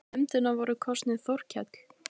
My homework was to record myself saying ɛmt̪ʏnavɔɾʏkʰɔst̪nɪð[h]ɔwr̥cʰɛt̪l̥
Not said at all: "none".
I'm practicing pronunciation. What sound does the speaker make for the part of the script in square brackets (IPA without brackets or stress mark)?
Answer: θ